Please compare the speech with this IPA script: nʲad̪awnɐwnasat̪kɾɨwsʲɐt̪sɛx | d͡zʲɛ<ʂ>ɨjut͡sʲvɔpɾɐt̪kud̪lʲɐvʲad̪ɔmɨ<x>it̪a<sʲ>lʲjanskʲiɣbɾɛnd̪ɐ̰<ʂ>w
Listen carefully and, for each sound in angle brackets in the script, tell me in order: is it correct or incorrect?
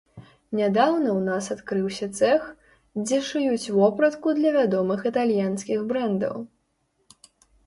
correct, correct, incorrect: none, incorrect: none

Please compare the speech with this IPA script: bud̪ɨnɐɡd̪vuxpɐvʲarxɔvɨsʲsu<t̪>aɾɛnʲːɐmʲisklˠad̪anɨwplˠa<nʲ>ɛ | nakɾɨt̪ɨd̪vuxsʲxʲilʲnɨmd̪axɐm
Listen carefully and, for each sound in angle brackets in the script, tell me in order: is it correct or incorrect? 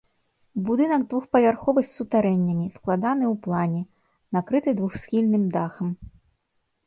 correct, correct

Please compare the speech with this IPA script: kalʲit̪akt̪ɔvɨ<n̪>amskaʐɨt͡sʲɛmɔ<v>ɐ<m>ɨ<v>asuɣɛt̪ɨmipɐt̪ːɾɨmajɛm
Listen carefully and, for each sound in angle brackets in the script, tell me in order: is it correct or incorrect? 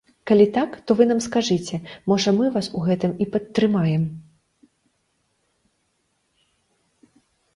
correct, incorrect: ʐ, correct, correct

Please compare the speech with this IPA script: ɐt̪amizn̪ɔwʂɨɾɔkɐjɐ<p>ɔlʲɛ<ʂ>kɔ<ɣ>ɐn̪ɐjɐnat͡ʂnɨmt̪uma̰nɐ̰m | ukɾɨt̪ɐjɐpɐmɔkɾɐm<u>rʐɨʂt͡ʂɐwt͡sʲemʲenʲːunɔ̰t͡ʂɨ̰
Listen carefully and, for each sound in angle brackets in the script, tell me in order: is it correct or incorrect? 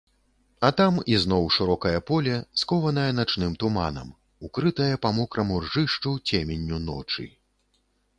correct, incorrect: s, incorrect: v, correct

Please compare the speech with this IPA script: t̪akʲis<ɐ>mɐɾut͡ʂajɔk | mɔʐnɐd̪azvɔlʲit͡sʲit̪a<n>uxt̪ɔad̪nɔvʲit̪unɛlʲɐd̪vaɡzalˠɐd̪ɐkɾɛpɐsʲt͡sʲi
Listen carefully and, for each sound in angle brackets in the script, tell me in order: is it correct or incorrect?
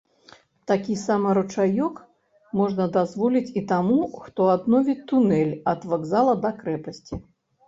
incorrect: a, incorrect: m

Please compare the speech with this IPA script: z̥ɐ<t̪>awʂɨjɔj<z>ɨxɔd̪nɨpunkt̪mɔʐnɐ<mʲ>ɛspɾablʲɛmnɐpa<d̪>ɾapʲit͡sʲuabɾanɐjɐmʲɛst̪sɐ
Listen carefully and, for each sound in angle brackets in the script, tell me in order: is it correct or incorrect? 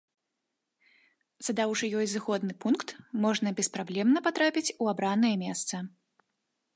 incorrect: d̪, correct, incorrect: bʲ, incorrect: t̪

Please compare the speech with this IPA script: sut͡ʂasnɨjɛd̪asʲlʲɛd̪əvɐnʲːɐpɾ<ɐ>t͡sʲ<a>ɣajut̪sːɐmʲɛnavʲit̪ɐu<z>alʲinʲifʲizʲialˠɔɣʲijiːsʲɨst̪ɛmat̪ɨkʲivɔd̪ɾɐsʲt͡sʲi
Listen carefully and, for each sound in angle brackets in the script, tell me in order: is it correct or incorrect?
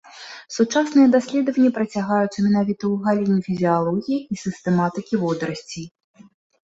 correct, correct, incorrect: ɣ

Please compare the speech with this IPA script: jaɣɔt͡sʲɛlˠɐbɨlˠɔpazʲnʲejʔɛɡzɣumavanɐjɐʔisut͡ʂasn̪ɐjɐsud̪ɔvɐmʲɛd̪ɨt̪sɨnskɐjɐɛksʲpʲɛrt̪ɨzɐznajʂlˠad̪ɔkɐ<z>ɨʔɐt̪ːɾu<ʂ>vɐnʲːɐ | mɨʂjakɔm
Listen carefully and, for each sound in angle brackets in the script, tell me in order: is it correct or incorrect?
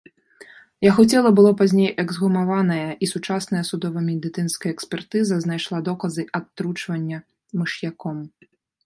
correct, incorrect: t͡ʂ

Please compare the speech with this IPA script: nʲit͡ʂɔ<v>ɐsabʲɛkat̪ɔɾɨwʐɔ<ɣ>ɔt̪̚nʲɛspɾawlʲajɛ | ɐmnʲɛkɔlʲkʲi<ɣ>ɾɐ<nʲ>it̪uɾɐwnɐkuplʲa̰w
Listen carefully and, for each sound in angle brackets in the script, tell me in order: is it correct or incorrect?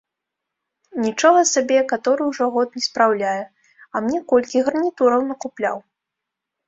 incorrect: ɣ, correct, correct, correct

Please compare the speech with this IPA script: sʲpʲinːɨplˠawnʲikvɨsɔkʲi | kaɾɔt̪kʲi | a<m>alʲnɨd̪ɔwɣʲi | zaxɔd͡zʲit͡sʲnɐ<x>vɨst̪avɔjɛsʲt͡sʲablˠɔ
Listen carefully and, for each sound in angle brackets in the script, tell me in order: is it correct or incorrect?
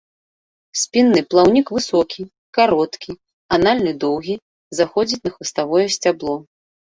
incorrect: n, correct

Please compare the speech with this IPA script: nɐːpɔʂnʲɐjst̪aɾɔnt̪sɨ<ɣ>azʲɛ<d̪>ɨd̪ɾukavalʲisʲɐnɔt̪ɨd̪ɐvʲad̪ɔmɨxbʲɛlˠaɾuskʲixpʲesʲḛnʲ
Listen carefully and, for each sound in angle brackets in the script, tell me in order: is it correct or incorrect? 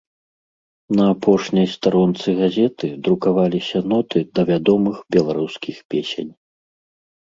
correct, incorrect: t̪

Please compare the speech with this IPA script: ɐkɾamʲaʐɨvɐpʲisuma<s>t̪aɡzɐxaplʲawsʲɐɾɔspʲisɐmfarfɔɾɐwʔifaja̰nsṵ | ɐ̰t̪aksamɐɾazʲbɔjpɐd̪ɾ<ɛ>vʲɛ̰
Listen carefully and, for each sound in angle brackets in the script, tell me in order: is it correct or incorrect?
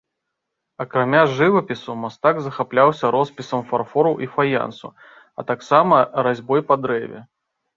correct, correct

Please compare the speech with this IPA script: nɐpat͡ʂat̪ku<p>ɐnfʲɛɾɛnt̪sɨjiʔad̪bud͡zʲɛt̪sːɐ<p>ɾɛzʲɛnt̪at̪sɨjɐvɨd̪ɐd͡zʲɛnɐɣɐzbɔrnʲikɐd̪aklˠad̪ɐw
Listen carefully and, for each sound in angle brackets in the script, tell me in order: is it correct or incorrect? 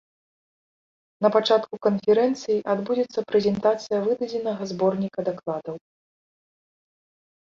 incorrect: k, correct

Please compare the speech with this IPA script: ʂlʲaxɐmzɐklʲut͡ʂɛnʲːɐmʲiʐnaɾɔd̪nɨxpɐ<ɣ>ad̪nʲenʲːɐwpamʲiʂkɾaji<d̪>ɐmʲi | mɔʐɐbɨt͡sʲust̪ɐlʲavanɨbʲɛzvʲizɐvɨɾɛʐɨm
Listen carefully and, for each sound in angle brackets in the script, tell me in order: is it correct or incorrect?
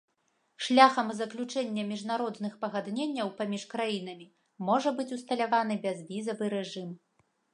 correct, incorrect: n̪

